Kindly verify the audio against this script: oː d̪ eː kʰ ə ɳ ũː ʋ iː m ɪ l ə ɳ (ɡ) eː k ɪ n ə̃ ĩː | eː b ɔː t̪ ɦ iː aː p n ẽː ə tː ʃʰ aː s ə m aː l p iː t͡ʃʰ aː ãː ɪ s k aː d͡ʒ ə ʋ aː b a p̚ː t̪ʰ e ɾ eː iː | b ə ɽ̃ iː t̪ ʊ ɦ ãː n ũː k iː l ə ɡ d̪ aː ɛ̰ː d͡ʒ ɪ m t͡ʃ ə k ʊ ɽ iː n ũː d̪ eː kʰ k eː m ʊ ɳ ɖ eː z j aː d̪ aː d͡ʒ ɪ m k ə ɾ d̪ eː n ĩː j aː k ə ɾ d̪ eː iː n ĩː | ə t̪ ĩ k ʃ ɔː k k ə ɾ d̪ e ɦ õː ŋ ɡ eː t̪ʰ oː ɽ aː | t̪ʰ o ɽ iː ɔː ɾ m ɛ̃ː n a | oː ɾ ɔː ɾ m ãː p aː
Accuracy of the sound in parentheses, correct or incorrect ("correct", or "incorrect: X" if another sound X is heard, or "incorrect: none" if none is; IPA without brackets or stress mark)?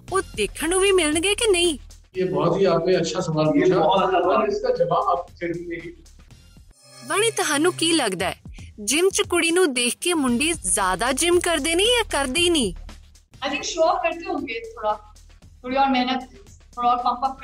correct